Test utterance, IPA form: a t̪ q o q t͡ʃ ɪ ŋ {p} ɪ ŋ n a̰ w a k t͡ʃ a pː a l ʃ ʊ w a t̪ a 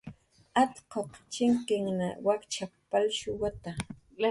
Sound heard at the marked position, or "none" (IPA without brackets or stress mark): k